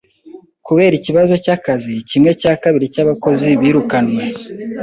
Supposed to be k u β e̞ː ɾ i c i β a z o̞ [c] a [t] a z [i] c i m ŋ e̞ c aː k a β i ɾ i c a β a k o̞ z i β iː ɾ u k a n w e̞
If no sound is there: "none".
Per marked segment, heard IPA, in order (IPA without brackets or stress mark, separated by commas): c, k, i